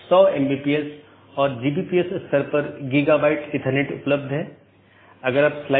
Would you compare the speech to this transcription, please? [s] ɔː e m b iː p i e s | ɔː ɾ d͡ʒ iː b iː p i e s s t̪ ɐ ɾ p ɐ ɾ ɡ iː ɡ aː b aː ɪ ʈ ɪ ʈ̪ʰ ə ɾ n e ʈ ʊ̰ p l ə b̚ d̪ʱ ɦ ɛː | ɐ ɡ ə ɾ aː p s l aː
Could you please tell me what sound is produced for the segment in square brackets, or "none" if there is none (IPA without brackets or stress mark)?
s